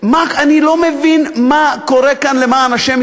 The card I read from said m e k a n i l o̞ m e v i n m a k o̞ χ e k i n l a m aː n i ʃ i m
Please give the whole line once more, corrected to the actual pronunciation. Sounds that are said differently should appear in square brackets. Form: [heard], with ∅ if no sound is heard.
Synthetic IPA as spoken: m [a] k a n i l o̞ m e v i n m a k o̞ [ʁ] e k [a] n l [e] m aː n [a] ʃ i m